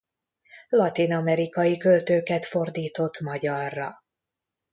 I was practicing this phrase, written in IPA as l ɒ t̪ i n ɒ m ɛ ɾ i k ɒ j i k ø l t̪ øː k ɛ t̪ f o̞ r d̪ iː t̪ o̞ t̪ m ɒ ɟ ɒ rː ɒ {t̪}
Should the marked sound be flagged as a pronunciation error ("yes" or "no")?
yes